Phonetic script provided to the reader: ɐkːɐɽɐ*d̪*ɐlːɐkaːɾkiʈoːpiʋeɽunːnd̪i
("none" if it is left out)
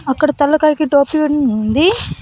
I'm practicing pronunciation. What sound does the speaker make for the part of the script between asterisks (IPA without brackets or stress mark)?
t̪